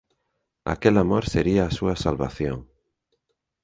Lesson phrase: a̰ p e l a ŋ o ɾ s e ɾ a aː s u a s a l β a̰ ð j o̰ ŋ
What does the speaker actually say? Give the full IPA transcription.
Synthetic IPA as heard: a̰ k e l a m o ɾ s e ɾ i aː s u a s a l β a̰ θ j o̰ ŋ